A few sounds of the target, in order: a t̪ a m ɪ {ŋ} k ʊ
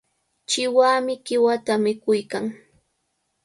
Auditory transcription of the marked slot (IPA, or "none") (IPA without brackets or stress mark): none